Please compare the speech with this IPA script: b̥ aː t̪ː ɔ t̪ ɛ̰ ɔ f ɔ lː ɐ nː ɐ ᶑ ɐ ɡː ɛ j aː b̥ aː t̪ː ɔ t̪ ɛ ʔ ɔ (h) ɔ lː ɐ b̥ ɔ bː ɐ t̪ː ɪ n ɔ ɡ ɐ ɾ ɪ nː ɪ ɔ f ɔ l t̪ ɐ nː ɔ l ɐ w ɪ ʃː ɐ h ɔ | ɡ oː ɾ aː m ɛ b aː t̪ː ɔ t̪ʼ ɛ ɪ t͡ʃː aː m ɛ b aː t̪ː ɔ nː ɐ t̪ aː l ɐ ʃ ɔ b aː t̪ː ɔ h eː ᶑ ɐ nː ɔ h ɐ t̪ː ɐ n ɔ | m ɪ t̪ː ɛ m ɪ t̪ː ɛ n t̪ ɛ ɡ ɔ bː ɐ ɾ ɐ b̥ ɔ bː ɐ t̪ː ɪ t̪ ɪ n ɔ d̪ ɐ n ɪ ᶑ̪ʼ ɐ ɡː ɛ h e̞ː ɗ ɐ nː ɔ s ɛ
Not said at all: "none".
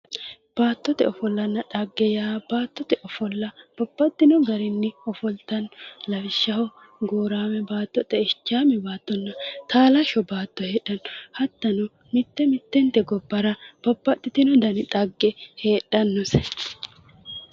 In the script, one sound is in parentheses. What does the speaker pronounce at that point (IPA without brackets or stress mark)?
f